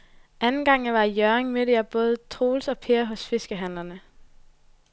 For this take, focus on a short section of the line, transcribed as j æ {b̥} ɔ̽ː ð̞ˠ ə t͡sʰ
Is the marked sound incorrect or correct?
correct